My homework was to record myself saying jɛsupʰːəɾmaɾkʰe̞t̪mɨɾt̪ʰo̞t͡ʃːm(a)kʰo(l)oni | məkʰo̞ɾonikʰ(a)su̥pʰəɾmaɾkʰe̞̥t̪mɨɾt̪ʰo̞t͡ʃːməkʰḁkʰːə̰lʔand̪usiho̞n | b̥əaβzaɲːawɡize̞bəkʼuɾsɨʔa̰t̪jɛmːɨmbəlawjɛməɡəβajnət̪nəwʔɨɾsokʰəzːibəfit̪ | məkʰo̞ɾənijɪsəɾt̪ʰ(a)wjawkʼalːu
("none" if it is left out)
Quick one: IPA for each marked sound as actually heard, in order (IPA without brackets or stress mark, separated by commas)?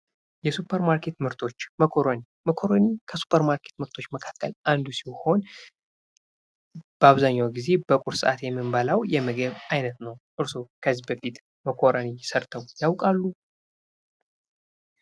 ə, ɾ, ə, ə